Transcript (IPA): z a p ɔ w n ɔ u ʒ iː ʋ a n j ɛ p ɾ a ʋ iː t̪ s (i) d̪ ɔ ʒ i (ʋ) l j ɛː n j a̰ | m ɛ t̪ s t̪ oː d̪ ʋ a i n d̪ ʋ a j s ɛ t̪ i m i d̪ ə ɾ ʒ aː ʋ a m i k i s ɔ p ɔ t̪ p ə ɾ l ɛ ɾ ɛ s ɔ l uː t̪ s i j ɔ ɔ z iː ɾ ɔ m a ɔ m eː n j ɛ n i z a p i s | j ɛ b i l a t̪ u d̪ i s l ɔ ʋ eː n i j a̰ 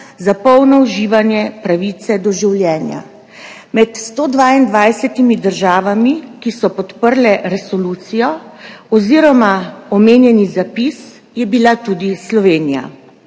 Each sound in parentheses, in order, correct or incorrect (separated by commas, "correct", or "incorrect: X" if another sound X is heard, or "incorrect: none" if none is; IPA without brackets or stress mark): incorrect: ɛ, incorrect: w